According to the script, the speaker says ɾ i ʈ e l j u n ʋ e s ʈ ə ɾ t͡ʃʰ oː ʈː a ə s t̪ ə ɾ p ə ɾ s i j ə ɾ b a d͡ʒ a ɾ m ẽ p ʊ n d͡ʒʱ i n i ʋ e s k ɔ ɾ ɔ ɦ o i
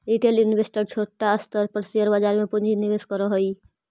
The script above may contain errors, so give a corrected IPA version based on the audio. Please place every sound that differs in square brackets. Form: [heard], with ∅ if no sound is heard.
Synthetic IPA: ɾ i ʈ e l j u n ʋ e s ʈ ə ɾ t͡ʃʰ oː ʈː a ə s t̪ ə ɾ p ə ɾ s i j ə ɾ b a d͡ʒ a ɾ m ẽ p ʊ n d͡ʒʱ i n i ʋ e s k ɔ ɾ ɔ ɦ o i